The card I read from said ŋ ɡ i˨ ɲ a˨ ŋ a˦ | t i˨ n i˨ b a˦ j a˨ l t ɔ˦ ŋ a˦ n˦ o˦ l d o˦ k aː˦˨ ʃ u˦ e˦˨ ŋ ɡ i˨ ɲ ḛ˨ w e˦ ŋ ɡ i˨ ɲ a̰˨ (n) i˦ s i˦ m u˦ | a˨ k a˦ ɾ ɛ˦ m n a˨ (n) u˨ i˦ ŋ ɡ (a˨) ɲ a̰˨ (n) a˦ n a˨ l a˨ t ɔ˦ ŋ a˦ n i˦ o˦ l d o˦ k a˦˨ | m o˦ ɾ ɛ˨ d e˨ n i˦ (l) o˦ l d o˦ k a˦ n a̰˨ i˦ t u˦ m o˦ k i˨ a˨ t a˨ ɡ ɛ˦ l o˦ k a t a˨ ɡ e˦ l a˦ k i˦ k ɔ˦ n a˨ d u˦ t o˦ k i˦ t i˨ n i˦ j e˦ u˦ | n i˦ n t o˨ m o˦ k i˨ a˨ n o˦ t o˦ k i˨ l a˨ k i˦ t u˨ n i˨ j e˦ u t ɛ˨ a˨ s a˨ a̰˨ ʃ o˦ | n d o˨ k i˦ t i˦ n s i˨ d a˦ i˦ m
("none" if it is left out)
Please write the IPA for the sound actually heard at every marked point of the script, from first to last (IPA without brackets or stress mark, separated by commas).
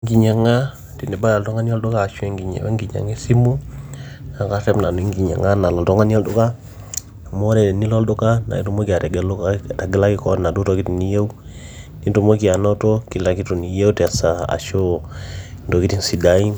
ŋ, n, i˨, ŋ, l